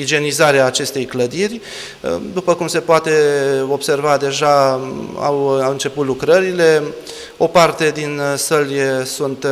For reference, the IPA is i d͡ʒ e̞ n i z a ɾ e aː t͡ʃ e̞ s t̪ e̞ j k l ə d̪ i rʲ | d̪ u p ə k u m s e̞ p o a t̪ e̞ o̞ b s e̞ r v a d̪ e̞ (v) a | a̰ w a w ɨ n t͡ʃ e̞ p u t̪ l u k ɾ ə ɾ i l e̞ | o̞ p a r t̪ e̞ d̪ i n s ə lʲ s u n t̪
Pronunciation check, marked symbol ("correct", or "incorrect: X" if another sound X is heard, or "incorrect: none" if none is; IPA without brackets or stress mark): incorrect: ʒ